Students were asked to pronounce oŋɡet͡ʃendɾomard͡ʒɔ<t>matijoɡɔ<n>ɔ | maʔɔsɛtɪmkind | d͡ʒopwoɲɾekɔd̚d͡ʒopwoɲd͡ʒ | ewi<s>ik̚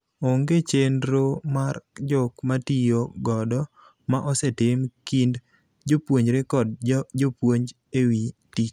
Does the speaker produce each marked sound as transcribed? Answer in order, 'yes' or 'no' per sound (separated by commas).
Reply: no, no, no